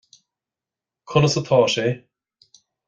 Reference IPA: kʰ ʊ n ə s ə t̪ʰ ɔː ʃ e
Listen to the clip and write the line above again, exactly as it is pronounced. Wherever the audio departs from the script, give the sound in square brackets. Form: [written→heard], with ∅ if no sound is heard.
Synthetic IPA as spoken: kʰ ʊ n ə s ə t̪ʰ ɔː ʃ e